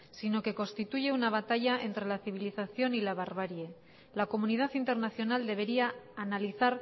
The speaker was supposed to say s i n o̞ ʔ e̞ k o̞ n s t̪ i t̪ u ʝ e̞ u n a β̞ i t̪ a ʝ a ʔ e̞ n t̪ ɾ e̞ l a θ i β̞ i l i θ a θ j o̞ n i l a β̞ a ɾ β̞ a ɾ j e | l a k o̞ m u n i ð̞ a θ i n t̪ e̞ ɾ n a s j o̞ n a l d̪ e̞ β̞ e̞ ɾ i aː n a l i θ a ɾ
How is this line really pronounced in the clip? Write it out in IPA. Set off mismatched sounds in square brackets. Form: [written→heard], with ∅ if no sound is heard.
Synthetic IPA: s i n o̞ [ʔ→k] e̞ k o̞ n s t̪ i t̪ u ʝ e̞ u n a β̞ [i→a] t̪ a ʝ a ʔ e̞ n t̪ ɾ e̞ l a θ i β̞ i l i θ a θ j o̞ n i l a β̞ a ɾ β̞ a ɾ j e | l a k o̞ m u n i ð̞ a θ i n t̪ e̞ ɾ n a [s→θ] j o̞ n a l d̪ e̞ β̞ e̞ ɾ i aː n a l i θ a ɾ